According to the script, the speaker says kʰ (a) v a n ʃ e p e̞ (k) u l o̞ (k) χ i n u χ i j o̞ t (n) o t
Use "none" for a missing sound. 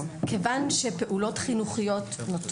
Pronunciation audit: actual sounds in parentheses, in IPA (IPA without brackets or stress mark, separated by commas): e, ʔ, t, n